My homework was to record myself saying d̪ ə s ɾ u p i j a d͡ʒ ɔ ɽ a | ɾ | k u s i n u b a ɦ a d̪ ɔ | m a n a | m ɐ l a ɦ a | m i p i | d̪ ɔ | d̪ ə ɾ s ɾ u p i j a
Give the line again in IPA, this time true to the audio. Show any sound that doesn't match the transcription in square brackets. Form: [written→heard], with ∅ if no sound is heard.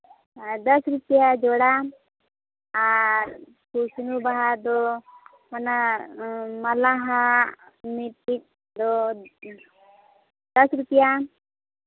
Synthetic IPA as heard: d̪ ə s ɾ u p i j a d͡ʒ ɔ ɽ a | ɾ | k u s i n u b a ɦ a d̪ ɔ | m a n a | m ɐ l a ɦ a | m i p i | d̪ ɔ | d̪ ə [ɾ→∅] s ɾ u p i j a